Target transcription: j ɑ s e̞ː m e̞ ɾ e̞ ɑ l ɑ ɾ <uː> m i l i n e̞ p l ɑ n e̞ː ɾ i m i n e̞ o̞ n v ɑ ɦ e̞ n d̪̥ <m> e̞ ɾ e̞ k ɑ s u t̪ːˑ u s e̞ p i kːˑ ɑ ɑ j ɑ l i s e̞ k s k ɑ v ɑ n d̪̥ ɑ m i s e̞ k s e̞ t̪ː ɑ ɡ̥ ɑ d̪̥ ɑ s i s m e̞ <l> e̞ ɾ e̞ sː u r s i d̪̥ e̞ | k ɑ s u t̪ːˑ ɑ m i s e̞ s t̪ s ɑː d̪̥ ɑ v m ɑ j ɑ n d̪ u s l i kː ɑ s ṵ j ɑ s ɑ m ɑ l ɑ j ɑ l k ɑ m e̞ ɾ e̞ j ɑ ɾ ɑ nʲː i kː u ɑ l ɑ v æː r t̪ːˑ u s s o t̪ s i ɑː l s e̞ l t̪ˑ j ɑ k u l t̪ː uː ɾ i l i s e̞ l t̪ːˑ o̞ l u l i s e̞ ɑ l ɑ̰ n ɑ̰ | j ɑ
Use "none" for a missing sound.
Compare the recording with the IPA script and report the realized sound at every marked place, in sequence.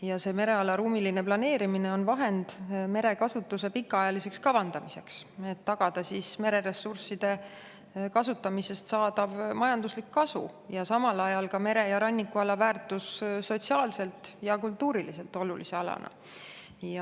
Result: uː, m, ɾ

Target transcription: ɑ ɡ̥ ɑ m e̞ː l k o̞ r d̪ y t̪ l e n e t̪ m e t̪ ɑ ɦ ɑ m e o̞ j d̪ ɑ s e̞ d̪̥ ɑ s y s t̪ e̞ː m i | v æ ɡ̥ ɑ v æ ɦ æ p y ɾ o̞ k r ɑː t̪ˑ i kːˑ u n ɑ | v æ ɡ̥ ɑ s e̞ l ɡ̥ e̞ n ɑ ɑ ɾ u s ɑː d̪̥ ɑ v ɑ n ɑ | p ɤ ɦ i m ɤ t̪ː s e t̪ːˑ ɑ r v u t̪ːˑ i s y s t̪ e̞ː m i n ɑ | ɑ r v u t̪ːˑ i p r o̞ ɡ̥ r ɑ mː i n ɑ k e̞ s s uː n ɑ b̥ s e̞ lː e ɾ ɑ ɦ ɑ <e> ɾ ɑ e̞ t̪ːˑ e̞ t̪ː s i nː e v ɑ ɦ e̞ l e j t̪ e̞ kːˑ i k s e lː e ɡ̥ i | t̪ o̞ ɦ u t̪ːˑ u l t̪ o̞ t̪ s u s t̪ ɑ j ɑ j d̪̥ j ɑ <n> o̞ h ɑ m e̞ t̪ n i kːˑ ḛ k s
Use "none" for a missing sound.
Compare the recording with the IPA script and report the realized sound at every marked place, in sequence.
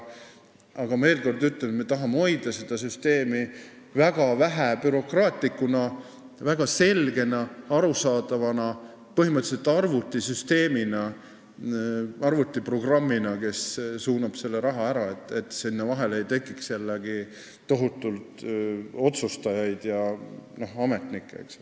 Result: æ, n

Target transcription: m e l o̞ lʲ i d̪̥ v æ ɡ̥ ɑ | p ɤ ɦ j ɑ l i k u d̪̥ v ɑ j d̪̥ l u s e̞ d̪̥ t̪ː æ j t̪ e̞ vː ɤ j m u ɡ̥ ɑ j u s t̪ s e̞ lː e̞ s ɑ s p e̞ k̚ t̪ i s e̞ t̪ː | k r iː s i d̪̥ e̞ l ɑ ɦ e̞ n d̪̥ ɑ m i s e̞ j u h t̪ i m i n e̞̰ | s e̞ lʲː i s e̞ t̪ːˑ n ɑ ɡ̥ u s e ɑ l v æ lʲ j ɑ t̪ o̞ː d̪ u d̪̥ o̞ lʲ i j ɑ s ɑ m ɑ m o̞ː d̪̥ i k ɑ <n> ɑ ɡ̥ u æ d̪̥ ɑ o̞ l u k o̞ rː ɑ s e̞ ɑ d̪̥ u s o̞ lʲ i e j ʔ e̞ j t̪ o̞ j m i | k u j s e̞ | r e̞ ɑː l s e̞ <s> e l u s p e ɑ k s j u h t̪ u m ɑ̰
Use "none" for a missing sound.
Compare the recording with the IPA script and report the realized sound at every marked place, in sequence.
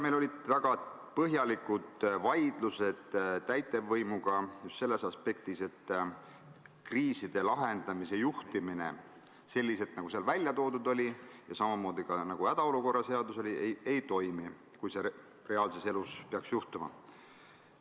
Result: n, s

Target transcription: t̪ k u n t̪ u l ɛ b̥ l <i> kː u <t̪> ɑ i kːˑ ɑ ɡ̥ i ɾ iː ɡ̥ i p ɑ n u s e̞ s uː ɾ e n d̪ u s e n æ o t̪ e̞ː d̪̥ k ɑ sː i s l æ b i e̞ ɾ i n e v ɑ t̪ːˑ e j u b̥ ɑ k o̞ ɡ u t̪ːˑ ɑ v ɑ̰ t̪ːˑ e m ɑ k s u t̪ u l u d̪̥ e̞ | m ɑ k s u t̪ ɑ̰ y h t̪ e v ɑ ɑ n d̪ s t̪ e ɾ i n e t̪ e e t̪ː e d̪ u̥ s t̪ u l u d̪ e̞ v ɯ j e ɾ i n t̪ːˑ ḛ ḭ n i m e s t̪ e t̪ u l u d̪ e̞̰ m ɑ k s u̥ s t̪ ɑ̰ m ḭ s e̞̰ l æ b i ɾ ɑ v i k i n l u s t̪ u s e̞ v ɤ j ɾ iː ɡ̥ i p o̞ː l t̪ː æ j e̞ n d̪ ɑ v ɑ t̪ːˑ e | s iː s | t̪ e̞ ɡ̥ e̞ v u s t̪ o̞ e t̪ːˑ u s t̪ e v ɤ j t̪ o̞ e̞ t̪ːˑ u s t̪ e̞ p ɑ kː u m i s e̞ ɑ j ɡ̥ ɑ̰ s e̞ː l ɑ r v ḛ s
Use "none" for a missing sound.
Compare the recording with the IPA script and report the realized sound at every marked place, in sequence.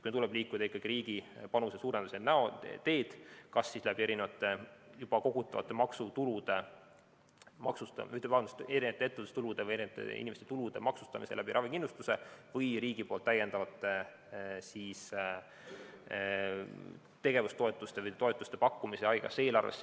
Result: iː, d̪

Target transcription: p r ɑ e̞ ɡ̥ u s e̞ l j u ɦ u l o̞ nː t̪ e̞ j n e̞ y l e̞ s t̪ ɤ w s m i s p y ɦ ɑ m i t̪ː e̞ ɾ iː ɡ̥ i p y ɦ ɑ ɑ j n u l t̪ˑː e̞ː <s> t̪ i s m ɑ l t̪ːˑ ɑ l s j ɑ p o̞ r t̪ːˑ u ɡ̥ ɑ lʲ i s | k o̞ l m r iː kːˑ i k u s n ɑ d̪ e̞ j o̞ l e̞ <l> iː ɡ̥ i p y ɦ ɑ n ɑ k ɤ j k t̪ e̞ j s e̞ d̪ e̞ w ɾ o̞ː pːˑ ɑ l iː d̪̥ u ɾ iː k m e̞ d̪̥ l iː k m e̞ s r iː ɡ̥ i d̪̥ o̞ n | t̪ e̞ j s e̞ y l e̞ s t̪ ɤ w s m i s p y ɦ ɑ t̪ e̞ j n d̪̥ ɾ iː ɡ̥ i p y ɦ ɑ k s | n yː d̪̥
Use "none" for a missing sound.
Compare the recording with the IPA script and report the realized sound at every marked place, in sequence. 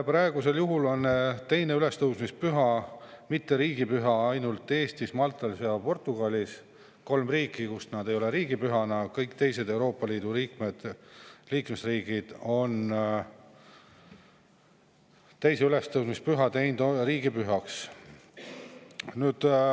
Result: s, ɾ

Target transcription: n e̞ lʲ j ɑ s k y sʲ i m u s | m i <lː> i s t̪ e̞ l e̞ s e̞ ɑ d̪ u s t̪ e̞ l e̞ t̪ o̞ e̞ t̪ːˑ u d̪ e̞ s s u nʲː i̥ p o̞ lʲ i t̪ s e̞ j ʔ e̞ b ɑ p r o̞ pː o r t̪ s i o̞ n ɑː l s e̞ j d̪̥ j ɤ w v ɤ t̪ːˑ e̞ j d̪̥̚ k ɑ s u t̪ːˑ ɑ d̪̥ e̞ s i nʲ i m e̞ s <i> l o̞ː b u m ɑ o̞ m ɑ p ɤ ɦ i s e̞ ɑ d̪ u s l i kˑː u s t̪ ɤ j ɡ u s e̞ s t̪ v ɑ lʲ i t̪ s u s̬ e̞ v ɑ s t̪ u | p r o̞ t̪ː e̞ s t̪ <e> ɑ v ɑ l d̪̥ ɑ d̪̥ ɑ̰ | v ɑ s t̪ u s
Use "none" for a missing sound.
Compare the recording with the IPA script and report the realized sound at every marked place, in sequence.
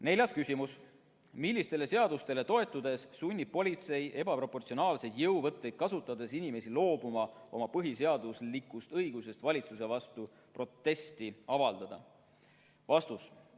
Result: lː, i, i

